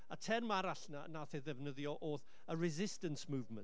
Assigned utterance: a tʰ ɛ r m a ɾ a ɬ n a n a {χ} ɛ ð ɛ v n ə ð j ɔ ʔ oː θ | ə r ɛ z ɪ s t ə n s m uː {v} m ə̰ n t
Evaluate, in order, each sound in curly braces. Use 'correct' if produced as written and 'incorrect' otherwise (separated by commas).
incorrect, correct